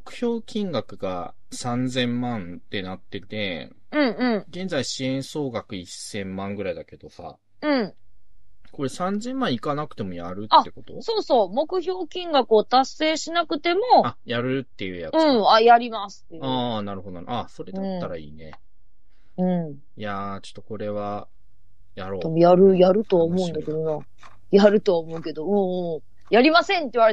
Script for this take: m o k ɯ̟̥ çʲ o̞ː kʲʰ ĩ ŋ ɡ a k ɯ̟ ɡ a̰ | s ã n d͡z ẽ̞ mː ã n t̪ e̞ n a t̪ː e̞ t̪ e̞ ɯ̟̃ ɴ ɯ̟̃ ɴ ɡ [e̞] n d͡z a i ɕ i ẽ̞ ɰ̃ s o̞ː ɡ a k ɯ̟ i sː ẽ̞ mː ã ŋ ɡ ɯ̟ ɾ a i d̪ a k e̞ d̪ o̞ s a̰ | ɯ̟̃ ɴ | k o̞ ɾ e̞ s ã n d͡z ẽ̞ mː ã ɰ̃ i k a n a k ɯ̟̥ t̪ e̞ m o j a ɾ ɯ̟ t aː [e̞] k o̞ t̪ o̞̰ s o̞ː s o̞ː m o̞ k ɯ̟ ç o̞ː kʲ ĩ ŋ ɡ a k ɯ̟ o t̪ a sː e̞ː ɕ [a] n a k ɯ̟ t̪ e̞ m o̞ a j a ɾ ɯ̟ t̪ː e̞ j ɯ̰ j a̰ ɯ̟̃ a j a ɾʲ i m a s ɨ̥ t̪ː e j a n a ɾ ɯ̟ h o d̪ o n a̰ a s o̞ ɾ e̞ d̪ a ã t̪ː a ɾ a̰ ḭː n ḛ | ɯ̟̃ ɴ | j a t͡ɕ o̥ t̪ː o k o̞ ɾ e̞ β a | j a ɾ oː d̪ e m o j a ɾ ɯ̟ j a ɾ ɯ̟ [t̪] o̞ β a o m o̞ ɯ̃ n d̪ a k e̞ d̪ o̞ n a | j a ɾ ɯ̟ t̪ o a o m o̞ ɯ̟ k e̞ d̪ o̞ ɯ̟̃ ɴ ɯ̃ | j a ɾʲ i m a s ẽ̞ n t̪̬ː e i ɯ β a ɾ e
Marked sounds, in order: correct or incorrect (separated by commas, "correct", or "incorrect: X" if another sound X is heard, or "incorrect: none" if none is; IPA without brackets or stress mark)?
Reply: incorrect: ẽ̞, correct, incorrect: i, correct